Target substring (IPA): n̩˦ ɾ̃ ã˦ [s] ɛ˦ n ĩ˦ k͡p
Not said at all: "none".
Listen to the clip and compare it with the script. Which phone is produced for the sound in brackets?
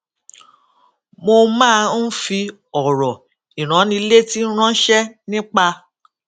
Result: ʃ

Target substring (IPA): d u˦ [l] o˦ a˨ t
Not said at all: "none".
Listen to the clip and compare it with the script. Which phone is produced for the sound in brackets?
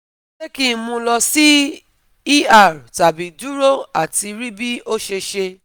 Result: ɾ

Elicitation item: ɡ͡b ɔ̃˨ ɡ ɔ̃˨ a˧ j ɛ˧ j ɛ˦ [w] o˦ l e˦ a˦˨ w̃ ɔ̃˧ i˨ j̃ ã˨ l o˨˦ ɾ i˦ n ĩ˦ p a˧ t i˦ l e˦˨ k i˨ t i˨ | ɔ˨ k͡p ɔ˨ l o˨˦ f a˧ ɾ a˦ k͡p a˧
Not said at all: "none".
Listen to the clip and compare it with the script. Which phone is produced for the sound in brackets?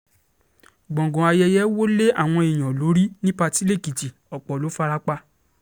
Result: w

